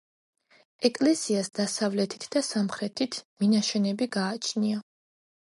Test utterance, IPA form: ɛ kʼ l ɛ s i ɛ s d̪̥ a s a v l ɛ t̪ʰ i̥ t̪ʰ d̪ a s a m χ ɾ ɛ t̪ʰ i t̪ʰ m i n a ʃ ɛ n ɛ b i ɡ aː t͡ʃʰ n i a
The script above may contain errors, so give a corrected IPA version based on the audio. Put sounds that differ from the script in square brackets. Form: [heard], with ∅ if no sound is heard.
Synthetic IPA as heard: ɛ kʼ l ɛ s i [a] s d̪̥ a s a v l ɛ t̪ʰ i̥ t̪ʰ d̪ a s a m χ ɾ ɛ t̪ʰ i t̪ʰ m i n a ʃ ɛ n ɛ b i ɡ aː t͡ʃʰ n i a